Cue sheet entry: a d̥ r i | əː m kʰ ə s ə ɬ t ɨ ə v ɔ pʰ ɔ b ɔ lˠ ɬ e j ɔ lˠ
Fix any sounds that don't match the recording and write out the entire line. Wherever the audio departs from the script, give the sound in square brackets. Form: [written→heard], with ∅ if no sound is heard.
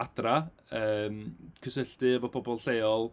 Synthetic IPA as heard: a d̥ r [i→a] | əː m kʰ ə s ə ɬ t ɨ ə v ɔ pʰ ɔ b ɔ lˠ ɬ e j ɔ lˠ